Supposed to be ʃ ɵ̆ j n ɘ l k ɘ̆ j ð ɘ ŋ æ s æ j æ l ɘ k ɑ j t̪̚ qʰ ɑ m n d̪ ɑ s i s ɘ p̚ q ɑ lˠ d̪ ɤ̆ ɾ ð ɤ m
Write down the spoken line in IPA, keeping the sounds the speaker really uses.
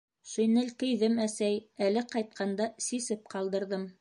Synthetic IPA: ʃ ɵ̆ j n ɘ l k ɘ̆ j ð ɘ m æ s æ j æ l ɘ q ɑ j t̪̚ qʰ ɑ n d̪ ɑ s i s ɘ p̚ q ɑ lˠ d̪ ɤ̆ ɾ ð ɤ m